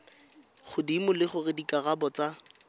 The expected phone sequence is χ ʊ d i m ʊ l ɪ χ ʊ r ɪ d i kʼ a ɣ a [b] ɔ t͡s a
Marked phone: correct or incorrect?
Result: correct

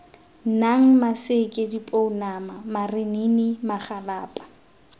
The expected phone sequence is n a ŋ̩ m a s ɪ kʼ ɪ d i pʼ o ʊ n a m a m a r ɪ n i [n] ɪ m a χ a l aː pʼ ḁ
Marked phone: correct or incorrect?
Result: correct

